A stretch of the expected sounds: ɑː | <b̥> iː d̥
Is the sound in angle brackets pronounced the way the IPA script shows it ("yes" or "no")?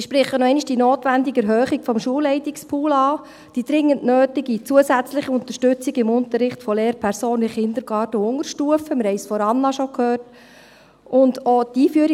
no